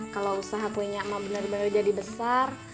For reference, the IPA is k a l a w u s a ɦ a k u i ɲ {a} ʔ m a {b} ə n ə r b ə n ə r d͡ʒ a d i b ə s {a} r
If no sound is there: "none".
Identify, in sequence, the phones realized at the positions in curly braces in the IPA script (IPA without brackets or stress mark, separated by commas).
a, b, a